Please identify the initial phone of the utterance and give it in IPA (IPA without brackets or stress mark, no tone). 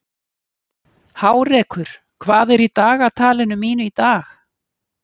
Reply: h